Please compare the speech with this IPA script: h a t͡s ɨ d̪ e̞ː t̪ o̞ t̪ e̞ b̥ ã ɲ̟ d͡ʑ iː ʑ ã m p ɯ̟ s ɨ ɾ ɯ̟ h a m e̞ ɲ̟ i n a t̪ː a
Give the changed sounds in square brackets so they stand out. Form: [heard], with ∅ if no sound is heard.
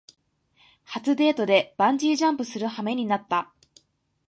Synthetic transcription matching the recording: h a t͡s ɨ d̪ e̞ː t̪ o̞ [d̪] e̞ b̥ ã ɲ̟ d͡ʑ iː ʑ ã m p ɯ̟ s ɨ ɾ ɯ̟ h a m e̞ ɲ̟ i n a t̪ː a